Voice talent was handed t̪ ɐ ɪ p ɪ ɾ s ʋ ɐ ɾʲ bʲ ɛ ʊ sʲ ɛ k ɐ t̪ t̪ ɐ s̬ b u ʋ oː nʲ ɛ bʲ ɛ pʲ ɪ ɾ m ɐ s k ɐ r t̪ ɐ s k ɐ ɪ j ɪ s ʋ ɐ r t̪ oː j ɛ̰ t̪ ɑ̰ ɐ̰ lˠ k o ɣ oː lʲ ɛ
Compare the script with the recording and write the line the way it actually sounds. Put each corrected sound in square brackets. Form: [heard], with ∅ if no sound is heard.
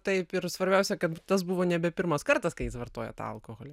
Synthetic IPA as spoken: t̪ ɐ ɪ p ɪ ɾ s ʋ ɐ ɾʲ bʲ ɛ ʊ sʲ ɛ k ɐ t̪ t̪ ɐ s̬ b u ʋ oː nʲ ɛ bʲ ɛ pʲ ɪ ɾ m ɐ s k ɐ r t̪ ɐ s k ɐ ɪ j ɪ s ʋ ɐ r t̪ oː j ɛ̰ t̪ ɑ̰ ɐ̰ lˠ k o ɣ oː lʲ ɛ

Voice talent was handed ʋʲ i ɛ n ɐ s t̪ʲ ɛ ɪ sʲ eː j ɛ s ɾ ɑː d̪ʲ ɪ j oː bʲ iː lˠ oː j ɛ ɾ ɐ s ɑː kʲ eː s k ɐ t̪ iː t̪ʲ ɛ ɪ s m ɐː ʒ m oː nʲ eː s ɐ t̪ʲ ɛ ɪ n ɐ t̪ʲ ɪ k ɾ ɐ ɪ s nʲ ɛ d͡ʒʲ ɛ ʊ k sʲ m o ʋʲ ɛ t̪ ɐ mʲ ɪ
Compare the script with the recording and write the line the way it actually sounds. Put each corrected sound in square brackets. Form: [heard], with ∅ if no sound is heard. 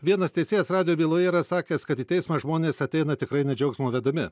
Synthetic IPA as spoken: ʋʲ i ɛ n ɐ s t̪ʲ ɛ ɪ sʲ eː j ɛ s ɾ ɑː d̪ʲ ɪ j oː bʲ iː lˠ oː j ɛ ɾ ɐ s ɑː kʲ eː s k ɐ t̪ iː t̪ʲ ɛ ɪ s m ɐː ʒ m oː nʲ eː s ɐ t̪ʲ ɛ ɪ n ɐ t̪ʲ ɪ k ɾ ɐ ɪ [∅] nʲ ɛ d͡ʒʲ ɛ ʊ k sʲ m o ʋʲ ɛ [d̪] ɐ mʲ ɪ

